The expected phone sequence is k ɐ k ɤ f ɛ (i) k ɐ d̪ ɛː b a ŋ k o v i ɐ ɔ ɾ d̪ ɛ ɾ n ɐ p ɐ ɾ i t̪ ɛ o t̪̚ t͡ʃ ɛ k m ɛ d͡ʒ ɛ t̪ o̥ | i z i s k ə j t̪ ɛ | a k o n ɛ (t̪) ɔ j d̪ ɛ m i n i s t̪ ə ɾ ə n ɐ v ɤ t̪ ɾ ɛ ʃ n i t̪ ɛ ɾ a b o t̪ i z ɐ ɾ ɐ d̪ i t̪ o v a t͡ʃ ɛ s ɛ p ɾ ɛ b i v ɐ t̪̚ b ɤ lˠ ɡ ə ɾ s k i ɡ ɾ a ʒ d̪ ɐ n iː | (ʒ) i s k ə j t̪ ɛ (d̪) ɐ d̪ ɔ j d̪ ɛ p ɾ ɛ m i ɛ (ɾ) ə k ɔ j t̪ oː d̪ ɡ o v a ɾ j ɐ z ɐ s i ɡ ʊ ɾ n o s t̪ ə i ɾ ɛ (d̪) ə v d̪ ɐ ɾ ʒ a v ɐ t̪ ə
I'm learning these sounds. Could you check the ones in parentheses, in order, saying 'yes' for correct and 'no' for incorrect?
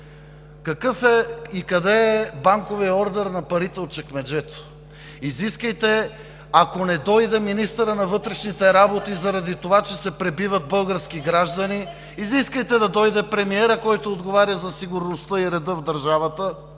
yes, no, no, yes, yes, yes

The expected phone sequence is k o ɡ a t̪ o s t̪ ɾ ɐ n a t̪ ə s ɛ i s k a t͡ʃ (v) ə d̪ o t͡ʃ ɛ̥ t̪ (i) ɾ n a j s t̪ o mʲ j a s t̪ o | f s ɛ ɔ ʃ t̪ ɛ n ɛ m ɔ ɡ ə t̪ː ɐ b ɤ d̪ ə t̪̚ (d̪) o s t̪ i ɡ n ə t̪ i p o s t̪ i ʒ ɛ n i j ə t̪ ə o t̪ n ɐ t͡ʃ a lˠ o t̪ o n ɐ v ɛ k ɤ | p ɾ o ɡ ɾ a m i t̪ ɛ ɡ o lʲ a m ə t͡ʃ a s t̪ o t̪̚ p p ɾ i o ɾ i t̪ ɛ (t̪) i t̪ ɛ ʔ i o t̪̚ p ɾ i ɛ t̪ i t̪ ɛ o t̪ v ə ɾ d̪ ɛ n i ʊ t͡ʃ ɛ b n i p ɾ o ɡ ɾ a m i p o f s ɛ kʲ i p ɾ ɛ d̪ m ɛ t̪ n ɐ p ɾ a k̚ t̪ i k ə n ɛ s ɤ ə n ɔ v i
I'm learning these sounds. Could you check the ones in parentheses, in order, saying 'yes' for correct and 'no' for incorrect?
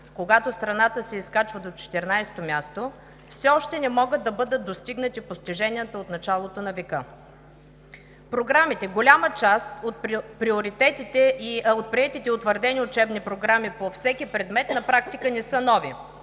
yes, no, yes, yes

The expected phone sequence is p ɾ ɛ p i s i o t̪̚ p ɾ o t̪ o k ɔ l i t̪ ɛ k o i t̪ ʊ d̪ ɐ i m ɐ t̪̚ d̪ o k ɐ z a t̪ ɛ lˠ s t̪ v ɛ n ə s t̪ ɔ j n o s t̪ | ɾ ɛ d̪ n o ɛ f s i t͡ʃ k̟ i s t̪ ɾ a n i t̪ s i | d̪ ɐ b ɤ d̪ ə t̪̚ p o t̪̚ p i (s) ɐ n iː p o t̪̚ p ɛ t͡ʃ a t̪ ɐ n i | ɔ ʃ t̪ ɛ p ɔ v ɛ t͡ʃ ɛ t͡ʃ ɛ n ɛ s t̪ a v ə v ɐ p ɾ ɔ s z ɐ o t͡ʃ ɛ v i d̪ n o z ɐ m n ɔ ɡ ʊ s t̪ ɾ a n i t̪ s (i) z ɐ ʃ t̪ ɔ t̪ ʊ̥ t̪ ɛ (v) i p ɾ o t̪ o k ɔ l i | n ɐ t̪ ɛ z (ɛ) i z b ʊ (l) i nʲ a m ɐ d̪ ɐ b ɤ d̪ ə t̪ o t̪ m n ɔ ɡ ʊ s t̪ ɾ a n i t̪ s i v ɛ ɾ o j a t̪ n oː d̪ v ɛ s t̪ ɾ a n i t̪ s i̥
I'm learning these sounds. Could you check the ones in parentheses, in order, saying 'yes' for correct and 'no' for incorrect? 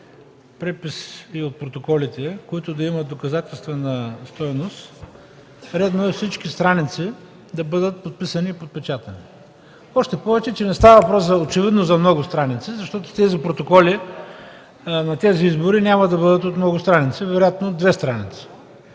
yes, yes, no, no, no

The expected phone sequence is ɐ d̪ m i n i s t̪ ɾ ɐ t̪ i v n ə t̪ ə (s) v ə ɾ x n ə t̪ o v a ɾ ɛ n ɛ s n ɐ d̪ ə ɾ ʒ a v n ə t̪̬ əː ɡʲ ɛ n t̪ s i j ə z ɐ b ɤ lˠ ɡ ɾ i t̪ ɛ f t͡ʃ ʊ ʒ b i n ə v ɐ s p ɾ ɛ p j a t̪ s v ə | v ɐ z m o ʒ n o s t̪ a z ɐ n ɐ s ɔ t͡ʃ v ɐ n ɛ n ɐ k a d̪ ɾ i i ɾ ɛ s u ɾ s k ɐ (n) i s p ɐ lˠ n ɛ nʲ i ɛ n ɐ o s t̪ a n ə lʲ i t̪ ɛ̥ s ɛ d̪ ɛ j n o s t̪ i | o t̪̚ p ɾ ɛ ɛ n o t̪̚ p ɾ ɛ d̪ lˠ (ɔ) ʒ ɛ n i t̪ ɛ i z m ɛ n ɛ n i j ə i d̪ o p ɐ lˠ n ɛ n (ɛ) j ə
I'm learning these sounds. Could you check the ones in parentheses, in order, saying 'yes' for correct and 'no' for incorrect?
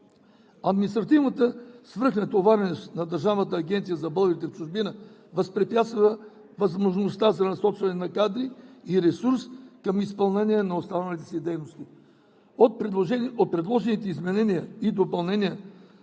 yes, no, yes, no

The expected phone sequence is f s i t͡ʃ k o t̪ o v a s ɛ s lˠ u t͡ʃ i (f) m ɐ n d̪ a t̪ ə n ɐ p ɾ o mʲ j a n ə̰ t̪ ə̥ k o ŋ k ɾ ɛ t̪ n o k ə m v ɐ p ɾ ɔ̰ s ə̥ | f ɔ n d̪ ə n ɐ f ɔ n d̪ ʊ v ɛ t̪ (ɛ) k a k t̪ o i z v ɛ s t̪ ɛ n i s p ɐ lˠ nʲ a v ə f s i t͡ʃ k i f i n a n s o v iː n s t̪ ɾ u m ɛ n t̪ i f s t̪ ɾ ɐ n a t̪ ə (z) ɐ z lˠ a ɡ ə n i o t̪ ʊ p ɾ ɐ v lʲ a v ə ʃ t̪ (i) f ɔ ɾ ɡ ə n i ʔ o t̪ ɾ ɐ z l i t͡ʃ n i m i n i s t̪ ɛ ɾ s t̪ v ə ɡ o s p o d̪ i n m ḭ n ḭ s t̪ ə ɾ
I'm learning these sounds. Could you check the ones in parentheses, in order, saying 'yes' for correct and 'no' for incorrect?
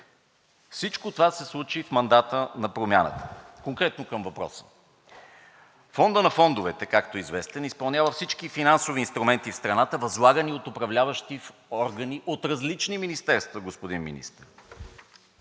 yes, yes, no, yes

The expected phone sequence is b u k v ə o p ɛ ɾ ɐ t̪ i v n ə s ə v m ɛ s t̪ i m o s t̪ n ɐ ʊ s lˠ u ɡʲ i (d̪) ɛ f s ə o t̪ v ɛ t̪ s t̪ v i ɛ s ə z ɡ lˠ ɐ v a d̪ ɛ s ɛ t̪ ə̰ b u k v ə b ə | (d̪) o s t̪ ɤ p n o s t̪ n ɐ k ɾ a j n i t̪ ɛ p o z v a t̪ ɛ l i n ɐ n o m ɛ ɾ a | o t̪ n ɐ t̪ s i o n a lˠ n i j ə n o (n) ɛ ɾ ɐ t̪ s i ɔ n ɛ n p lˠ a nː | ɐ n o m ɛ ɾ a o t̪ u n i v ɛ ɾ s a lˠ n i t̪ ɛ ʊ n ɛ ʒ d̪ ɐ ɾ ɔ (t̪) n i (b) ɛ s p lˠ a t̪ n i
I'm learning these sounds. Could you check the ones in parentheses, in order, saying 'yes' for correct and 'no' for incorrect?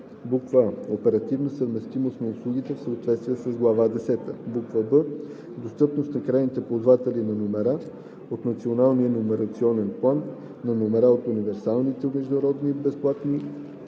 no, yes, no, no, yes

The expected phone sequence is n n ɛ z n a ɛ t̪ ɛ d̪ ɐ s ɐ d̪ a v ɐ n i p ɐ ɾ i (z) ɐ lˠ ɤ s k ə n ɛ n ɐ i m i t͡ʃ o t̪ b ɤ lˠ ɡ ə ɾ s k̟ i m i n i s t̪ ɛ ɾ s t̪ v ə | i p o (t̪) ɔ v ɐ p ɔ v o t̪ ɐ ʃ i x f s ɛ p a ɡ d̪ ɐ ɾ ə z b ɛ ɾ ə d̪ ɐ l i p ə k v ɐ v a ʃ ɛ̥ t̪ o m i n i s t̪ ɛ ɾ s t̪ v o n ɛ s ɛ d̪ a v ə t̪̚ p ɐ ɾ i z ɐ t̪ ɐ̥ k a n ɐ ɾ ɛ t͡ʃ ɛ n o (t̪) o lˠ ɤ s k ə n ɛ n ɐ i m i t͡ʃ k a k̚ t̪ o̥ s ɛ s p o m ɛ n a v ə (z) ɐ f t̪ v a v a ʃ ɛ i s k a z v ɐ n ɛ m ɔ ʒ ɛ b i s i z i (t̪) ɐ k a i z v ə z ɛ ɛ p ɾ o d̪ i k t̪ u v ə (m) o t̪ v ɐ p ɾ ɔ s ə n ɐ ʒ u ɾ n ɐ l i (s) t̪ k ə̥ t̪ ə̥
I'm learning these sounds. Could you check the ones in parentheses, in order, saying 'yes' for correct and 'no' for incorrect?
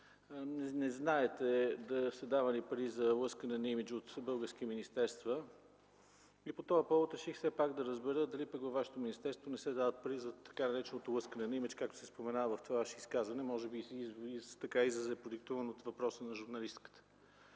yes, yes, yes, no, yes, no, yes

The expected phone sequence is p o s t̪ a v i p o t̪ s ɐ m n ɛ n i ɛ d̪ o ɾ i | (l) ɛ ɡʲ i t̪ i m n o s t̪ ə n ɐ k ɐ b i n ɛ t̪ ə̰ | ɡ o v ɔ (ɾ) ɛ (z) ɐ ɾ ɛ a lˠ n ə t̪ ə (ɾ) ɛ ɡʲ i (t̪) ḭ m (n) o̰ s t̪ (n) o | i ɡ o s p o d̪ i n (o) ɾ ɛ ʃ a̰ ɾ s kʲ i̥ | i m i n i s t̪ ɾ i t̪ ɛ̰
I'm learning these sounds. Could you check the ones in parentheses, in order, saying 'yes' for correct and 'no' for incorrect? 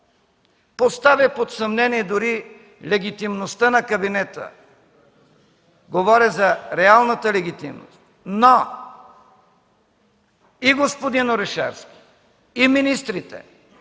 yes, yes, yes, no, yes, yes, yes, yes

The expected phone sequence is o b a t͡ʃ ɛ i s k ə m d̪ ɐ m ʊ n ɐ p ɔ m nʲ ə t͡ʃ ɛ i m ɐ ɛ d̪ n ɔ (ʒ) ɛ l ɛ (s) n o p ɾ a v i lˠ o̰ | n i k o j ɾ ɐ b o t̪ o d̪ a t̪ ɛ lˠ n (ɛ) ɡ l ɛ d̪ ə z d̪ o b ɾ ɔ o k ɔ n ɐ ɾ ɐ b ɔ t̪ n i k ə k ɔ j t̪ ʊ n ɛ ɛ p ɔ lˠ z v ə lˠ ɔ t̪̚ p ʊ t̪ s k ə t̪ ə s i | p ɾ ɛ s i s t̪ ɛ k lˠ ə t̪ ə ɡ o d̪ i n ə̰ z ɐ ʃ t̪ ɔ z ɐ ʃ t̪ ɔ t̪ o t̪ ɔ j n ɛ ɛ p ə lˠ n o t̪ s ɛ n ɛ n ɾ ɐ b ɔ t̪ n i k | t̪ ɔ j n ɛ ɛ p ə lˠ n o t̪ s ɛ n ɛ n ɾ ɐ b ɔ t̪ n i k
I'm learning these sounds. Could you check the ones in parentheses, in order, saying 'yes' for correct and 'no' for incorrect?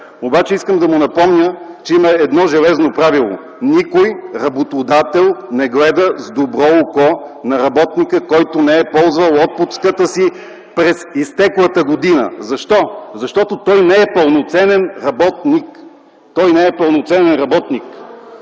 yes, no, yes

